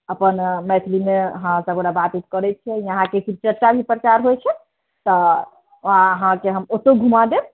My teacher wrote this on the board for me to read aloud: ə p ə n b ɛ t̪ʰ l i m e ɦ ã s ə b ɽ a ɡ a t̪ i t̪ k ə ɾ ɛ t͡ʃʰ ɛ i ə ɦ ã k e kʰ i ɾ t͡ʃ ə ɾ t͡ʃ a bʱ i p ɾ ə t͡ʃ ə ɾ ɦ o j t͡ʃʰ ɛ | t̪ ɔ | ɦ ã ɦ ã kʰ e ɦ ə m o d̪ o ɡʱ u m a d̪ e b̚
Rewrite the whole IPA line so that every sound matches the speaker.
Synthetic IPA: ə p ə n m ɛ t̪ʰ l i m e ɦ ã s ə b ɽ a b a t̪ i t̪ k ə ɾ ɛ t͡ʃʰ ɛ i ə ɦ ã k e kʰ i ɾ t͡ʃ ə ɾ t͡ʃ a bʱ i p ɾ ə t͡ʃ a ɾ ɦ o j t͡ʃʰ ɛ | t̪ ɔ | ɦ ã ɦ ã k e ɦ ə m o t̪ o ɡʱ u m a d̪ e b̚